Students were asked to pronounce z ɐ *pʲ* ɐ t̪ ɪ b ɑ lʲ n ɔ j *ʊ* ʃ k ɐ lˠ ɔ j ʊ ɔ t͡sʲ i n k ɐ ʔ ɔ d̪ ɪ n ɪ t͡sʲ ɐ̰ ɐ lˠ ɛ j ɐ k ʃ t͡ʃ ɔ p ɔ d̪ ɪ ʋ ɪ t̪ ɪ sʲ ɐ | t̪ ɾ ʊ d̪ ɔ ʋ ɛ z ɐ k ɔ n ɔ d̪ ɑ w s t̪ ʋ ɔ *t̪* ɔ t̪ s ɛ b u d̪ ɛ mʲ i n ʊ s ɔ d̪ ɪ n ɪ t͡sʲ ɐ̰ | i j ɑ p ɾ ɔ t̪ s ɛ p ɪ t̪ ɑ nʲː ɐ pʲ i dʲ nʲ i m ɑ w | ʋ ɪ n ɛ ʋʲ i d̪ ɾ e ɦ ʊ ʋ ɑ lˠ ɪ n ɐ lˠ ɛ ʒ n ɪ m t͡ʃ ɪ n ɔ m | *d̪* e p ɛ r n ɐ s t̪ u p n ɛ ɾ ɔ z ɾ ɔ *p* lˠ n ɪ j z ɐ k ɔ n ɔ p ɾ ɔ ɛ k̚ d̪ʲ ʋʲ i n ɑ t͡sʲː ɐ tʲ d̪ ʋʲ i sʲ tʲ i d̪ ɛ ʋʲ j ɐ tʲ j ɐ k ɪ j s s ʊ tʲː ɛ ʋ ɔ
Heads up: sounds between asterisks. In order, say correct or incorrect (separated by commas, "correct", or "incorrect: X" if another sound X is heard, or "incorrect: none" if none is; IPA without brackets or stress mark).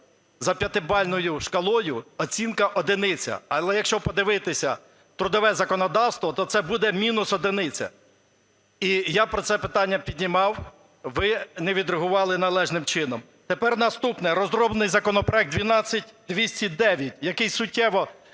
correct, correct, correct, incorrect: t̪, incorrect: b